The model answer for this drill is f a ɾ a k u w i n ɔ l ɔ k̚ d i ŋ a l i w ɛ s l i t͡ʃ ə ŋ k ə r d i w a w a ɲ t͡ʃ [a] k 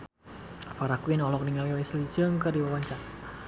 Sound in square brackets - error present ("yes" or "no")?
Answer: no